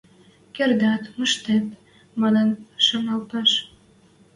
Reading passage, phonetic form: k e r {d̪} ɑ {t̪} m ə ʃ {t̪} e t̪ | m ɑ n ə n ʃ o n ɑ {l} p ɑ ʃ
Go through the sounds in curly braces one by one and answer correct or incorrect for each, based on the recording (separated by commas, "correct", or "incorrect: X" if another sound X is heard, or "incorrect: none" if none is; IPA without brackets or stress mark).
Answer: correct, correct, correct, correct